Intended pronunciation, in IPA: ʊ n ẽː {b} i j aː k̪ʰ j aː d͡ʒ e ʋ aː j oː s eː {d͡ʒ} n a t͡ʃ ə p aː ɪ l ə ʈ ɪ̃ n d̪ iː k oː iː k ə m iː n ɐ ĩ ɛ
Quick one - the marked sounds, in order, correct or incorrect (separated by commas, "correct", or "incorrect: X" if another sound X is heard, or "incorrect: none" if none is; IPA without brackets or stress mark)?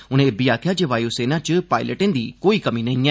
correct, incorrect: none